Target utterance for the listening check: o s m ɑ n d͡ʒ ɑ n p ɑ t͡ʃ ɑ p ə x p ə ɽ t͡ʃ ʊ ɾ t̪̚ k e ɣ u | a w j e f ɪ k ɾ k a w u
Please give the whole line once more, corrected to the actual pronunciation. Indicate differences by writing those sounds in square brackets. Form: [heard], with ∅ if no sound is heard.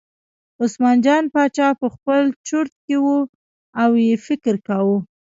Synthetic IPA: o s m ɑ n d͡ʒ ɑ n p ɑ t͡ʃ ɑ p ə x p ə [l] t͡ʃ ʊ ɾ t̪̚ k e [w] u | a w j e f ɪ k ɾ k a w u

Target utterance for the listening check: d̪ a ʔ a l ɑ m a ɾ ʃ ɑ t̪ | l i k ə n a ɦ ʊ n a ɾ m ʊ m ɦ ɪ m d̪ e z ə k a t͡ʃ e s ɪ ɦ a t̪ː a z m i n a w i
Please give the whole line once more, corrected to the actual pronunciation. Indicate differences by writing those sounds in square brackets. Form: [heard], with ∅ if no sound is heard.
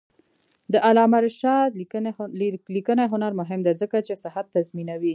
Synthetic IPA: d̪ [ə] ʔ a l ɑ m a ɾ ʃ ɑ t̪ | l i k ə n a ɦ ʊ n a ɾ m ʊ [∅] ɦ ɪ m d̪ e z ə k a t͡ʃ e s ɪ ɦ a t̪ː a z m i n a w i

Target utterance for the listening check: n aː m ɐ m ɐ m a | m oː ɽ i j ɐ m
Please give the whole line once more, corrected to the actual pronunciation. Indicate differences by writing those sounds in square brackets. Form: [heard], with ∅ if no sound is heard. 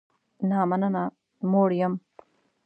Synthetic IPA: n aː m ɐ [n] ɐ [n] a | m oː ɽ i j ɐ m

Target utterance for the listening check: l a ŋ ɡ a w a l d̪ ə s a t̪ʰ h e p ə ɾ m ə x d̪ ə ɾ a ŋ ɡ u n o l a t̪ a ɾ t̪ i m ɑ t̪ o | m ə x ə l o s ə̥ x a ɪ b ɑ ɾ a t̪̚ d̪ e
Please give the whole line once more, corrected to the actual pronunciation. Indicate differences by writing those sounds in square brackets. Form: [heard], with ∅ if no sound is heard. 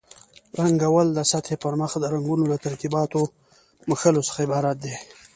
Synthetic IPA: [ɾ] a ŋ ɡ a w a l d̪ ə s a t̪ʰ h e p ə ɾ m ə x d̪ ə ɾ a ŋ ɡ u n o l a t̪ a ɾ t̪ i [b] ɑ t̪ o | m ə x ə l o s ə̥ x a ɪ b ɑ ɾ a t̪̚ d̪ e

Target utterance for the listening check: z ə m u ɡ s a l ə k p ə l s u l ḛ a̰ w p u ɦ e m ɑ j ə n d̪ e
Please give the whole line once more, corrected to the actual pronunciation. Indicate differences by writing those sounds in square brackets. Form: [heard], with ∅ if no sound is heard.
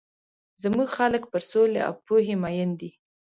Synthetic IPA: z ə m u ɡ [x] a l ə k p ə [ɾ] s [o] l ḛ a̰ w p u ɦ e m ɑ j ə n d̪ [i]

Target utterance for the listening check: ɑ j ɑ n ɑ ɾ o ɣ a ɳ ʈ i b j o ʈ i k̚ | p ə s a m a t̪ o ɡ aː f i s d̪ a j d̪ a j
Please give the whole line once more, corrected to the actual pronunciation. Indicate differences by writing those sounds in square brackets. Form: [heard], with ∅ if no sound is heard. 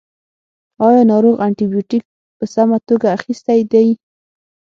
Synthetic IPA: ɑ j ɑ n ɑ ɾ o ɣ a ɳ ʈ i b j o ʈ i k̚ | p ə s a m a t̪ o ɡ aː [x] i s [t̪] a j d̪ a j

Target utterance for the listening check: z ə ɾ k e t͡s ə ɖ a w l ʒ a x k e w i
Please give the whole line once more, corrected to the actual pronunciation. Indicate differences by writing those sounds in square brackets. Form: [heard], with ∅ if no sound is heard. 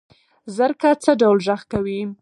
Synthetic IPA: z ə ɾ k [a] t͡s ə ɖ a w l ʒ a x k [a] w i

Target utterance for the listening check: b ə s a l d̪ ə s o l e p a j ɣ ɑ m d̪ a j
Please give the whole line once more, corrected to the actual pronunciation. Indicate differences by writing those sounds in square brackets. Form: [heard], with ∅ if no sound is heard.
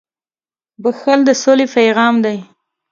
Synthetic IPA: b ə [x] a l d̪ ə s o l e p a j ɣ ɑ m d̪ a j

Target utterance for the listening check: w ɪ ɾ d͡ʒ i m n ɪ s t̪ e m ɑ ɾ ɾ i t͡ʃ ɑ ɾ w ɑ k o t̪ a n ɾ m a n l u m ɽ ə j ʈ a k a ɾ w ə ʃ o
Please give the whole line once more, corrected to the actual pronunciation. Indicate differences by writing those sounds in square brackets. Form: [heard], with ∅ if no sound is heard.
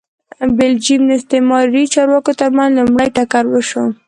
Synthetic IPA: [b] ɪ [l] d͡ʒ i m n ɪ s t̪ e m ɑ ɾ ɾ i t͡ʃ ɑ ɾ w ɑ k o t̪ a [∅] ɾ m a n l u m ɽ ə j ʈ a k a ɾ w ə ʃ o

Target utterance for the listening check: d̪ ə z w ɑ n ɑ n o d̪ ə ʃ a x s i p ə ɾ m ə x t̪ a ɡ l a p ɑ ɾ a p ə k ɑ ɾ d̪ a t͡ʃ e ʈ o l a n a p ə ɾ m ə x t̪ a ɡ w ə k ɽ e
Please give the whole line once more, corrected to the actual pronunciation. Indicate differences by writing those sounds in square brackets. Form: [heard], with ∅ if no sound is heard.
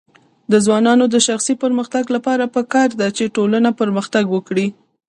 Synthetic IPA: d̪ ə z w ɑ n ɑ n o d̪ ə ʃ a x s i p ə ɾ m ə x t̪ a ɡ l a p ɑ ɾ a p ə k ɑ ɾ d̪ a t͡ʃ e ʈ o l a n a p ə ɾ m ə x t̪ a ɡ w ə k ɽ [i]

